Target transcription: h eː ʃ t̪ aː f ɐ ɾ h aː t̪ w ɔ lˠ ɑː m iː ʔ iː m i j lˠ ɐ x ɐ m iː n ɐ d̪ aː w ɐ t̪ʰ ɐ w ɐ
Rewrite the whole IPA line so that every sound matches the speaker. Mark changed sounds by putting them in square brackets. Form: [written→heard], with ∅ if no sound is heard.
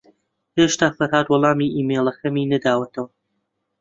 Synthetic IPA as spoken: h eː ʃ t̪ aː f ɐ ɾ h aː [t̪→d̪] w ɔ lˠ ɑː m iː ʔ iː m [i→e] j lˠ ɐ x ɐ m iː n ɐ d̪ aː w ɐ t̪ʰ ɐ w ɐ